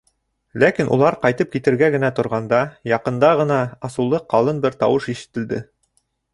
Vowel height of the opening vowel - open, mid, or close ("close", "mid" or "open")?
open